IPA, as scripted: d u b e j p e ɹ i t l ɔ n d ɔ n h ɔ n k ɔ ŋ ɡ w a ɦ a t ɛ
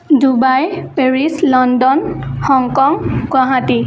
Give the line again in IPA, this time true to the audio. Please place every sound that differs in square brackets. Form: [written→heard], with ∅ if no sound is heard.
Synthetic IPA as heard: d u b [e→a] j p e ɹ i [t→s] l ɔ n d ɔ n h ɔ [n→ŋ] k ɔ ŋ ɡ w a ɦ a t [ɛ→i]